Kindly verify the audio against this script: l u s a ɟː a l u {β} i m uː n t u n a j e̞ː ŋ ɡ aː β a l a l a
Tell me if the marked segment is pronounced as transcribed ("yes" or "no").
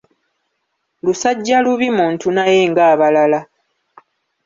yes